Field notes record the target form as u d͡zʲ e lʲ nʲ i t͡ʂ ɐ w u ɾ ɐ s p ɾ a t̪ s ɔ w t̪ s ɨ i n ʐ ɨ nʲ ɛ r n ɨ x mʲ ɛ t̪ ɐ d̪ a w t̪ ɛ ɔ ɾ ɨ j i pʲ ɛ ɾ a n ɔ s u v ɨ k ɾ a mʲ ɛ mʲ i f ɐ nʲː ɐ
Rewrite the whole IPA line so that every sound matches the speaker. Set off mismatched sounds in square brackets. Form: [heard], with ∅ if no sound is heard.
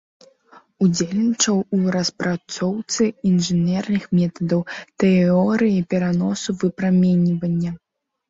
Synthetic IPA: u d͡zʲ e lʲ nʲ i t͡ʂ ɐ w u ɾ ɐ s p ɾ a t̪ s ɔ w t̪ s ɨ i n ʐ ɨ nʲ ɛ r n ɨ x mʲ ɛ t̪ ɐ d̪ [ɐ] w t̪ ɛ ɔ ɾ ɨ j i pʲ ɛ ɾ a n ɔ s u v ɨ [p] ɾ a mʲ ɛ [nʲ] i [v] ɐ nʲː ɐ